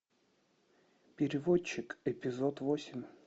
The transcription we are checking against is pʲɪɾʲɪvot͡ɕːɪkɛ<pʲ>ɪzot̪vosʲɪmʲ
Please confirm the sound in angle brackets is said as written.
yes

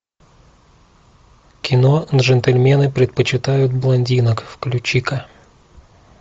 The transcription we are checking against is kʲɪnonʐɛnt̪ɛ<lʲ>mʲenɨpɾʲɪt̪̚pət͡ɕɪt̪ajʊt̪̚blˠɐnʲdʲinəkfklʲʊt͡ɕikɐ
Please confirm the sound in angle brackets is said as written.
yes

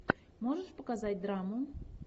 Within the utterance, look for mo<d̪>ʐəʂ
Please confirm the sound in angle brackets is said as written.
no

